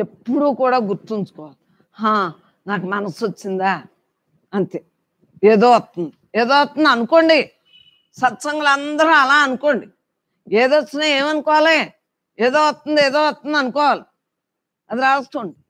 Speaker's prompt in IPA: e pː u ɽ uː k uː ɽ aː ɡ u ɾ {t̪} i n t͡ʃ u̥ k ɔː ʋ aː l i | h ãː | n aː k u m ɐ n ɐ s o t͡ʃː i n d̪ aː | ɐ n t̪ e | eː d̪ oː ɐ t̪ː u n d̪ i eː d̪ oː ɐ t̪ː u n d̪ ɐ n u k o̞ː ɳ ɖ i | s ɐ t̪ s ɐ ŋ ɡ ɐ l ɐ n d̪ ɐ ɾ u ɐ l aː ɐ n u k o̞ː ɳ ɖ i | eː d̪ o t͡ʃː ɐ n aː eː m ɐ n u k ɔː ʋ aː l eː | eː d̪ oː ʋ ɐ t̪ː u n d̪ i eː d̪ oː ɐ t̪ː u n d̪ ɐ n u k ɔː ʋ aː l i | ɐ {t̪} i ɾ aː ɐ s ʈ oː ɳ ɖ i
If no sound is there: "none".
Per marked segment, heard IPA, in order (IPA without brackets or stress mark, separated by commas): t̪, d̪